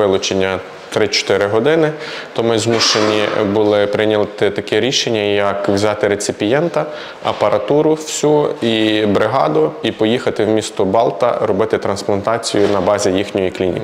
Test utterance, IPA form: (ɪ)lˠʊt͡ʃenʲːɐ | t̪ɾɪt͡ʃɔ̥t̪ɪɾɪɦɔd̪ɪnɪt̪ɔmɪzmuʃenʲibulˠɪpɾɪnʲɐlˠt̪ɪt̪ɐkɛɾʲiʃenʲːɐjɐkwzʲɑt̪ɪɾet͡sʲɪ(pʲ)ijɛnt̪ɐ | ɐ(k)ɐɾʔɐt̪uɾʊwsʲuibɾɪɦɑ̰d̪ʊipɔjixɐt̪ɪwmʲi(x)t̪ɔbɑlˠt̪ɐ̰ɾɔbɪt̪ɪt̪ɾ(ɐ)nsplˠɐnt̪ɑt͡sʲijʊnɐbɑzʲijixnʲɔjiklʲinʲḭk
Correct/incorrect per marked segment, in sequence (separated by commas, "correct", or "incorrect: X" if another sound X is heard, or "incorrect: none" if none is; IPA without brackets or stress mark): correct, correct, incorrect: p, incorrect: s, correct